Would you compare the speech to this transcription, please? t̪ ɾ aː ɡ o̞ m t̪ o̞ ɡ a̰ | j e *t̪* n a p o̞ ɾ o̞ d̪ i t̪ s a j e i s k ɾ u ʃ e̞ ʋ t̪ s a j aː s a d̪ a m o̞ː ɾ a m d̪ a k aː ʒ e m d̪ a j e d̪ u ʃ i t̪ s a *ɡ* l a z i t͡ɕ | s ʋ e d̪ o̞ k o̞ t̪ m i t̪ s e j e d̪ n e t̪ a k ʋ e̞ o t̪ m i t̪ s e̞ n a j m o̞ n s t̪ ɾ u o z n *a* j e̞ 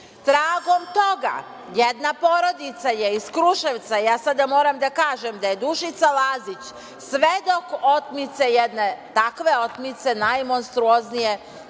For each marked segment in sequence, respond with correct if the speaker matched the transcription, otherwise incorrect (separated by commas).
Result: incorrect, incorrect, incorrect